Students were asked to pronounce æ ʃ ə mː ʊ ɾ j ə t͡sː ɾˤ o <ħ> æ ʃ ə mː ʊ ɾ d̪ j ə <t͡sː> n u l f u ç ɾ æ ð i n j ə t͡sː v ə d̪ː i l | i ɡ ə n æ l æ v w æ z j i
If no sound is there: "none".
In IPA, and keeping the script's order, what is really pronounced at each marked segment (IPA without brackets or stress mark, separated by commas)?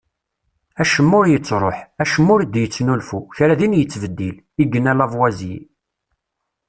ħ, t͡sː